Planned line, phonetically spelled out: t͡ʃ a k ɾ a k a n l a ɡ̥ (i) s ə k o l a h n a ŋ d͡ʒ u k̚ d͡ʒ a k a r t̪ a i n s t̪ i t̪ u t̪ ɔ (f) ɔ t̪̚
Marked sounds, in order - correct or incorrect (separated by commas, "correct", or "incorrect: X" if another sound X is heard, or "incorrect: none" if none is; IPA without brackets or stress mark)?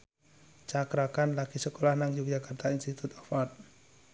correct, correct